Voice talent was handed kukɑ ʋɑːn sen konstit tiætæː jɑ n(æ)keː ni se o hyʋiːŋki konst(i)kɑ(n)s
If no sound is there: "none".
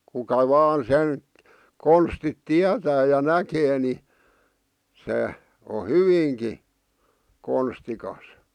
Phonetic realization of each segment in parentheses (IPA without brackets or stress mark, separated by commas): æ, i, none